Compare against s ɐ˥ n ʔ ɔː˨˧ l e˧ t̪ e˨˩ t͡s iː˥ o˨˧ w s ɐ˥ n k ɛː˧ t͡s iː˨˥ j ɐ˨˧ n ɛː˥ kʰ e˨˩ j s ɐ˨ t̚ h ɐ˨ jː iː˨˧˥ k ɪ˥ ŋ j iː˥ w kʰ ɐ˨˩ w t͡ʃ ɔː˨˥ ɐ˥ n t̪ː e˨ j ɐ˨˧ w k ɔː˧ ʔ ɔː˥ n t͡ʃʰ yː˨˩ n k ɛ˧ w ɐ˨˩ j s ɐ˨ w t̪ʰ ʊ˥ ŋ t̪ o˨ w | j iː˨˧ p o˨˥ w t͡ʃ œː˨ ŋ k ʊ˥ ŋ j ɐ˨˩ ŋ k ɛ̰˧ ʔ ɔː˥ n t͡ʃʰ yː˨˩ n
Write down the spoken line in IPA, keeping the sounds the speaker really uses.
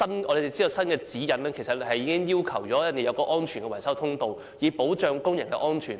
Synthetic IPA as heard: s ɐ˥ n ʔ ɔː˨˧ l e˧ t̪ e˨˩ t͡s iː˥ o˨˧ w s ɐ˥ n k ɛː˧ t͡s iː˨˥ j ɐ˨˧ n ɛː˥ kʰ e˨˩ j s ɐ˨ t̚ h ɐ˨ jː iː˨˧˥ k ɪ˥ ŋ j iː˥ w kʰ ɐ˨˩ w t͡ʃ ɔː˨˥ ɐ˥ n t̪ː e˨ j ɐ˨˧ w k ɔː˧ ʔ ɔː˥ n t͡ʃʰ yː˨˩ n k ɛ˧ w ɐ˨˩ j s ɐ˥ w t̪ʰ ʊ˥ ŋ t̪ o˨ w | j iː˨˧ p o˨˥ w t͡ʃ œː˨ ŋ k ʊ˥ ŋ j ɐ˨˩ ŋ k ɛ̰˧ ʔ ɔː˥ n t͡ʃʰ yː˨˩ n